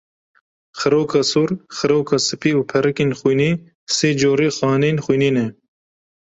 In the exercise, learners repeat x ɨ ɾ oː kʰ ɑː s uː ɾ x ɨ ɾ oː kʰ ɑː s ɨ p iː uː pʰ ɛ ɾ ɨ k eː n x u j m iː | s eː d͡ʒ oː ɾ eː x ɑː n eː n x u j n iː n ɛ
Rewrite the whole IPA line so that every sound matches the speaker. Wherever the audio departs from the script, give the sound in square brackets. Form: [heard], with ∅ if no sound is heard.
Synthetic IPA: x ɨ ɾ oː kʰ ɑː s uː ɾ x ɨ ɾ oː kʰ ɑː s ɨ p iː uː pʰ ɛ ɾ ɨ k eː n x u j [n] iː | s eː d͡ʒ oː ɾ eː x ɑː n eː n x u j n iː n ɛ